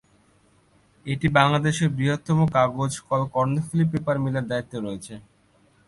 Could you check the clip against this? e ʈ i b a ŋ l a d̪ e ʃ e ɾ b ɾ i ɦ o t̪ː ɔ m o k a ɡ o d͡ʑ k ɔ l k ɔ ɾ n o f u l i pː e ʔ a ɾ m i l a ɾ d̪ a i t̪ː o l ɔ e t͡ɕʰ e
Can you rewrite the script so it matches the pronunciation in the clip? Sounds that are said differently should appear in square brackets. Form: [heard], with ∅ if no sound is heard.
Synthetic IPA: e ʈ i b a ŋ l a d̪ e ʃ e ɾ b ɾ i ɦ o t̪ː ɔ m o k a ɡ o d͡ʑ k ɔ l k ɔ ɾ n o f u l i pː e [p] a ɾ m i l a ɾ d̪ a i t̪ː o [ɾ] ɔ e t͡ɕʰ e